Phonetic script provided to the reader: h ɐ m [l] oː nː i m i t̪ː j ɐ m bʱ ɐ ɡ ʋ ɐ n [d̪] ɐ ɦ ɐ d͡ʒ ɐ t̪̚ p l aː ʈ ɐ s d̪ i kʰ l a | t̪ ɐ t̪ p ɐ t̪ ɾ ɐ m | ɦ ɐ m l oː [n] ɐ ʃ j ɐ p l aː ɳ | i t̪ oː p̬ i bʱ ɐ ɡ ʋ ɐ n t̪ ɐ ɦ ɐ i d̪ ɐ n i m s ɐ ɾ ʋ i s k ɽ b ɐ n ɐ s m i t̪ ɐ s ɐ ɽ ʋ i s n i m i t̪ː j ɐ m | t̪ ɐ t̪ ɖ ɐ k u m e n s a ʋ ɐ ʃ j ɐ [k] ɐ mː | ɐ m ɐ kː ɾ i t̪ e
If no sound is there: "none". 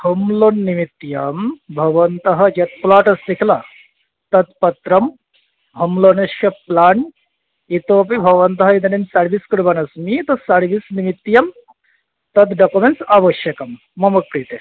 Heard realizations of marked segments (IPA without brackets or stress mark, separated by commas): l, t̪, n, k